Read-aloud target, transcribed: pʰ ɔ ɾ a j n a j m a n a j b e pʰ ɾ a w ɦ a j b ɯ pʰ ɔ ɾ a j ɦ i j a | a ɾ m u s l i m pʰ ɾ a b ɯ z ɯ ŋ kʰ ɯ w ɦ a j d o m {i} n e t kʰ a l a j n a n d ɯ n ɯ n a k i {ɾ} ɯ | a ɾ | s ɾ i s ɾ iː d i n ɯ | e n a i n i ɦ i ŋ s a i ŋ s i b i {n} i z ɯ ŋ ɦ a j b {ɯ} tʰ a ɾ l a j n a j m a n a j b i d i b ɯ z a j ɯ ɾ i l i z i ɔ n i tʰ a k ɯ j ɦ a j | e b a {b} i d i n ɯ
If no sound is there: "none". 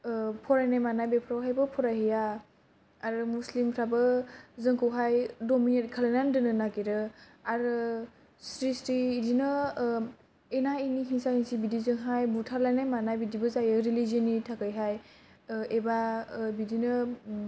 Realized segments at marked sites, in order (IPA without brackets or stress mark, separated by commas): i, ɾ, d, u, b